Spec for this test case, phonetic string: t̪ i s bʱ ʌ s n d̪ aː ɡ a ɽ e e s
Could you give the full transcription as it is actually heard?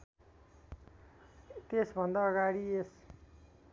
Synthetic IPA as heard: t̪ e s bʱ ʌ n d̪ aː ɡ a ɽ i e s